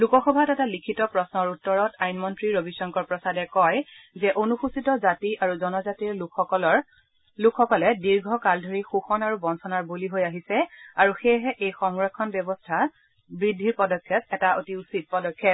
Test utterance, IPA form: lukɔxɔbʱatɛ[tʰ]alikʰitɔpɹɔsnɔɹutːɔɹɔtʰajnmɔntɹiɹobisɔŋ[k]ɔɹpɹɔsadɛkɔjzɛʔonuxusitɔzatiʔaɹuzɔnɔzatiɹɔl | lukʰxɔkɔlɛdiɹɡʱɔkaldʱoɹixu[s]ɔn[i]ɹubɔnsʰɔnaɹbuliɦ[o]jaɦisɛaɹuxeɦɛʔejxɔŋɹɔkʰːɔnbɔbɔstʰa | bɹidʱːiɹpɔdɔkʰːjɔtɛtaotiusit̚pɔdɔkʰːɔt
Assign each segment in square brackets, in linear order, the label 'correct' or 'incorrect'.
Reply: incorrect, correct, incorrect, incorrect, correct

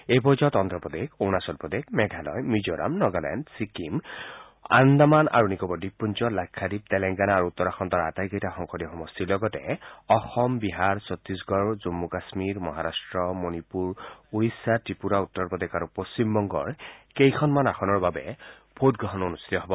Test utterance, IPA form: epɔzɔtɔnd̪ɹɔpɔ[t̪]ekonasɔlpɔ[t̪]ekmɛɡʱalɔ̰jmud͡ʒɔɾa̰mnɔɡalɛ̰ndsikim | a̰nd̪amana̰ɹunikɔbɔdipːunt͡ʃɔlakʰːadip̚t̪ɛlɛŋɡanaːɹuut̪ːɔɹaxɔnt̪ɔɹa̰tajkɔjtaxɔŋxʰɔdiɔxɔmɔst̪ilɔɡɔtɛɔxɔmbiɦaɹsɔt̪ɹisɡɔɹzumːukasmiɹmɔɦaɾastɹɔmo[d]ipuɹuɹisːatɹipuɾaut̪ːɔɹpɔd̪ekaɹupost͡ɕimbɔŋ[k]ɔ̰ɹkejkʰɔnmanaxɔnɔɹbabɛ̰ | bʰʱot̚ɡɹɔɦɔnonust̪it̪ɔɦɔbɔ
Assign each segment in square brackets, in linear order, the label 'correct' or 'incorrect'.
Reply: incorrect, incorrect, incorrect, incorrect

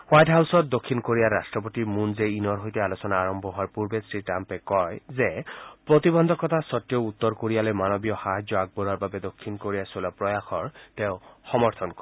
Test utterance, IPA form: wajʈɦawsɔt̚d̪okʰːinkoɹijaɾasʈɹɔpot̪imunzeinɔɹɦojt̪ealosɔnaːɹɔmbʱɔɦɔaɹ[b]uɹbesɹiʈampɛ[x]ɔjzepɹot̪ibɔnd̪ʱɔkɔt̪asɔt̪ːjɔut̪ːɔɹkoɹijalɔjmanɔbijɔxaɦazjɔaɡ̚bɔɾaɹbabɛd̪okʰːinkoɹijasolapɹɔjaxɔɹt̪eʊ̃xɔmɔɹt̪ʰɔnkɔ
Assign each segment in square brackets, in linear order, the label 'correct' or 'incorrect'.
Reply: incorrect, incorrect

